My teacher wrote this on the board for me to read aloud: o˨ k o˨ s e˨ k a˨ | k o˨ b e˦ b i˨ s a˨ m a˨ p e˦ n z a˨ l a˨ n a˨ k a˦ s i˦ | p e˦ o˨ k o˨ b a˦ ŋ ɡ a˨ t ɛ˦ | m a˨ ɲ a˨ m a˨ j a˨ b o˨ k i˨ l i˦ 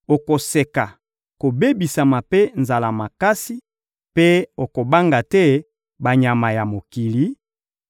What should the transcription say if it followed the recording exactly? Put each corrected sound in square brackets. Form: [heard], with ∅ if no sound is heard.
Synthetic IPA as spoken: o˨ k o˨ s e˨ k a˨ | k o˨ b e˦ b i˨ s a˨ m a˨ p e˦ n z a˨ l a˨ [m] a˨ k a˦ s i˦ | p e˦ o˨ k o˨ b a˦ ŋ ɡ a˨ t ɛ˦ | [b] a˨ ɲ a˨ m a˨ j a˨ [m] o˨ k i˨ l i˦